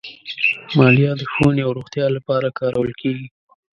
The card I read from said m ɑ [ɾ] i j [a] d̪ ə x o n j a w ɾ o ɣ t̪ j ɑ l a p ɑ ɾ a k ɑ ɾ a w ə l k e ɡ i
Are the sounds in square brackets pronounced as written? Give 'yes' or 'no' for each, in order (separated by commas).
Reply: no, no